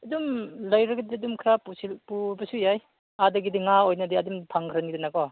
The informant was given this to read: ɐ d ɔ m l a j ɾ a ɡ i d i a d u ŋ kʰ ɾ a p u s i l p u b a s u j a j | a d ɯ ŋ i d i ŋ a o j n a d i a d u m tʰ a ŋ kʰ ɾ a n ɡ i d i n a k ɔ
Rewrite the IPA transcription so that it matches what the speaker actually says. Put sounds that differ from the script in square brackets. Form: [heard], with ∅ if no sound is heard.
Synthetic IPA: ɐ d [u] m l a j ɾ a ɡ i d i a d u [m] kʰ ɾ a p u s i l p u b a s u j a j | a d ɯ [ɡ] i d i ŋ a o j n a d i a d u m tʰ a ŋ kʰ ɾ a n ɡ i d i n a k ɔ